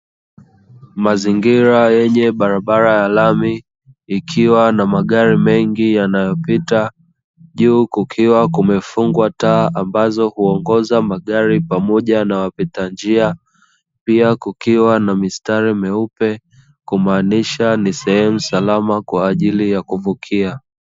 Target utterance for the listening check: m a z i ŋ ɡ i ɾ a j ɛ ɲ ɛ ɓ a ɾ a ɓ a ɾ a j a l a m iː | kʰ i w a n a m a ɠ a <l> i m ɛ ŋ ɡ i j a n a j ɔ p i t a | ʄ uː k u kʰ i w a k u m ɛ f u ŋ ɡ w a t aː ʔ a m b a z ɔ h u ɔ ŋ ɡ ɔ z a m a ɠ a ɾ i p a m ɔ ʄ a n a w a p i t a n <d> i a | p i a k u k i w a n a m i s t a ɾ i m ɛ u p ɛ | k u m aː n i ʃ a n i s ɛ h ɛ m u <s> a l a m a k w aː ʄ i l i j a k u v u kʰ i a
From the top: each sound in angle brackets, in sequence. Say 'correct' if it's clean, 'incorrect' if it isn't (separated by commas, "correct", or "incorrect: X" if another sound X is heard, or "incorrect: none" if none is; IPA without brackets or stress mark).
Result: incorrect: ɾ, incorrect: d͡ʒ, correct